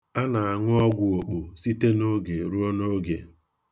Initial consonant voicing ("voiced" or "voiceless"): voiced